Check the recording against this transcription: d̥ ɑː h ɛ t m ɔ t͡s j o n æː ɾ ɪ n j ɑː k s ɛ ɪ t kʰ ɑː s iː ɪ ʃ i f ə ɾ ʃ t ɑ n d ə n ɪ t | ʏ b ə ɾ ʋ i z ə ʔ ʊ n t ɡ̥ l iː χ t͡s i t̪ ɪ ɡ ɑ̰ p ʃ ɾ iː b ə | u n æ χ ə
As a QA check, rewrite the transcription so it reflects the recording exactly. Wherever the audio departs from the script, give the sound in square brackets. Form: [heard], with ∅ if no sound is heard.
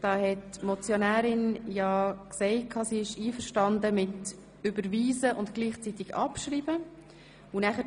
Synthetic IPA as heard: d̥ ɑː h ɛ t m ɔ t͡s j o n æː ɾ ɪ n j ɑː k s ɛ ɪ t kʰ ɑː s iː ɪ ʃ [iː] f ə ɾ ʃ t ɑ n d ə [m] ɪ t | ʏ b ə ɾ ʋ [iː] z ə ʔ ʊ n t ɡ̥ l iː χ t͡s i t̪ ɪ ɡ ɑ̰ p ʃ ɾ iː b ə | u n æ χ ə